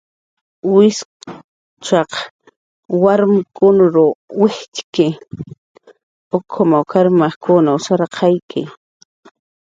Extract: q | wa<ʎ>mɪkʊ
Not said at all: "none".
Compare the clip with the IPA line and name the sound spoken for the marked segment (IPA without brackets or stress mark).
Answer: ɾ